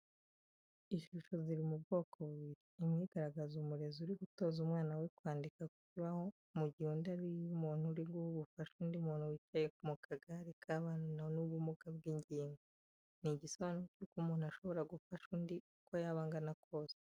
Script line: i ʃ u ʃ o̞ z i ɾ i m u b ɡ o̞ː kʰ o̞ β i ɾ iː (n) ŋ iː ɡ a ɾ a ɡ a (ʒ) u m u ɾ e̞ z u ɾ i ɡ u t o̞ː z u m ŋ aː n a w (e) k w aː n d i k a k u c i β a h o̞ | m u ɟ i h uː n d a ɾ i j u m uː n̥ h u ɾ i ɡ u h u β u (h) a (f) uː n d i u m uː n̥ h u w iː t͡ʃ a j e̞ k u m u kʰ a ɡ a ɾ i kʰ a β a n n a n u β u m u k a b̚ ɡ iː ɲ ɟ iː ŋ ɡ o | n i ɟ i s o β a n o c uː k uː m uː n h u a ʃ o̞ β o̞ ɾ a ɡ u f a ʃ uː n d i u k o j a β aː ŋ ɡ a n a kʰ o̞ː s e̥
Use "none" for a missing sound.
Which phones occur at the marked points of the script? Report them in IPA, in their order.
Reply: m, z, e, f, ʃ

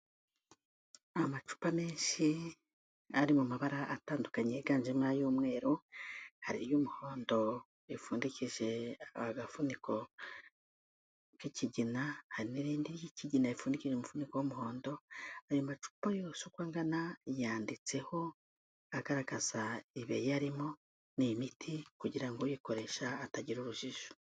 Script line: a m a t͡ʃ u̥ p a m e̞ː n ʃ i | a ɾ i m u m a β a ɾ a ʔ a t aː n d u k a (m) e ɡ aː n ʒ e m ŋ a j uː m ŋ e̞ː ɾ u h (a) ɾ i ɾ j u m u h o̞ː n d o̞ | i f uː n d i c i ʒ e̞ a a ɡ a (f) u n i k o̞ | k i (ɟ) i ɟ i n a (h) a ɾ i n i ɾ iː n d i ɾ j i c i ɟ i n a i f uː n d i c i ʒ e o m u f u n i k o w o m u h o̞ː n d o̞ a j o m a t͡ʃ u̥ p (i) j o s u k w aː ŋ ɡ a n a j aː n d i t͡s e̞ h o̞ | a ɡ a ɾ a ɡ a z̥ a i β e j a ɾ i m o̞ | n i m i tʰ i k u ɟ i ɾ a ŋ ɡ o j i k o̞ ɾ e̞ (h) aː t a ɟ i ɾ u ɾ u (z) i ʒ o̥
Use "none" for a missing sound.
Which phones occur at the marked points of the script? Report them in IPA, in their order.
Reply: ɲ, a, f, c, h, a, ʃ, ʒ

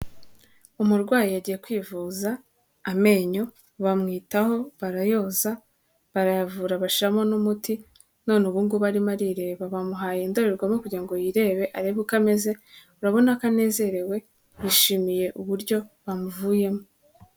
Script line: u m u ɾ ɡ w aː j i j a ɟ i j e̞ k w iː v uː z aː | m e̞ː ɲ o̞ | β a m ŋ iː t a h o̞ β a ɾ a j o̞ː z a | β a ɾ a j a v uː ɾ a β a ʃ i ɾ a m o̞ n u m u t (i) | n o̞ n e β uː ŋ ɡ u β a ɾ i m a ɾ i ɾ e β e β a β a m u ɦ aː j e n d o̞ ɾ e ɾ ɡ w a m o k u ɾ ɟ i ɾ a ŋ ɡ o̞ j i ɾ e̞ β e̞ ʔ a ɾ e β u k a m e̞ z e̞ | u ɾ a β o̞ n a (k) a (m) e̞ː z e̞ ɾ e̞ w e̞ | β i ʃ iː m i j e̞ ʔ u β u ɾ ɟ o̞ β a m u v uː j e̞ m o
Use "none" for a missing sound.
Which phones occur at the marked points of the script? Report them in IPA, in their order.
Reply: i, k, n

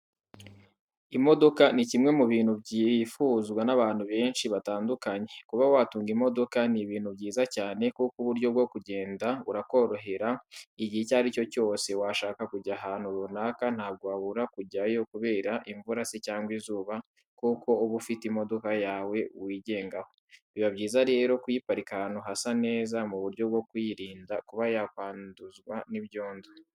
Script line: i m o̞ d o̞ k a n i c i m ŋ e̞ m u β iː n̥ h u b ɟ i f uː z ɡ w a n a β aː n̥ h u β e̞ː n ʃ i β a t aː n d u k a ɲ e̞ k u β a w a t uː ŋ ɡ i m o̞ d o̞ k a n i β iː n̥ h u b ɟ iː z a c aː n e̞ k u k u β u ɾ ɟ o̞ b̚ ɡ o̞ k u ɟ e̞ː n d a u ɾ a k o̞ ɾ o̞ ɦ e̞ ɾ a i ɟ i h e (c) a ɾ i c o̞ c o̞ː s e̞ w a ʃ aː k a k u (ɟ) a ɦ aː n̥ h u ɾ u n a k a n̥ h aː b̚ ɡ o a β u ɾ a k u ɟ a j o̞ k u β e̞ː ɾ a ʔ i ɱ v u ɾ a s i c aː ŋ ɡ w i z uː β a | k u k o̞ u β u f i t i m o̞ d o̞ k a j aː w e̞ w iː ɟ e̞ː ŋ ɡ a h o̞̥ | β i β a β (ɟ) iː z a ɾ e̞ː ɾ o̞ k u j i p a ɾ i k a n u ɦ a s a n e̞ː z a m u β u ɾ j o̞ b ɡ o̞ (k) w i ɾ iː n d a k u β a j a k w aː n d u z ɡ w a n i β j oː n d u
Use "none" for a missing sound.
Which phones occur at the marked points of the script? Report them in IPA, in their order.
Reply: c, ɟ, ɟ, k

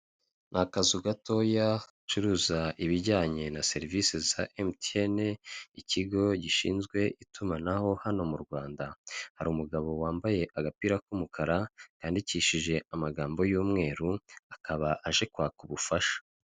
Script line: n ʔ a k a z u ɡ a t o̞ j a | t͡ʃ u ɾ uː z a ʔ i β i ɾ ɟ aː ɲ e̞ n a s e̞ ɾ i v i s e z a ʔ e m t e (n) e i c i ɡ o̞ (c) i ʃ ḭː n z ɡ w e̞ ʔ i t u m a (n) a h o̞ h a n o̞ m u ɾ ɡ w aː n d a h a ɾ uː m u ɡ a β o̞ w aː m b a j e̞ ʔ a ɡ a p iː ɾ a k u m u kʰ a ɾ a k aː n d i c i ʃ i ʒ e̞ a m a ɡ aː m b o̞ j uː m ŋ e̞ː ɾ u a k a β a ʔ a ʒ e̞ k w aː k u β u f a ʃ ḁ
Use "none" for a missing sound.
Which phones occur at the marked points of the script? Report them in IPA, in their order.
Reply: n, ɟ, n

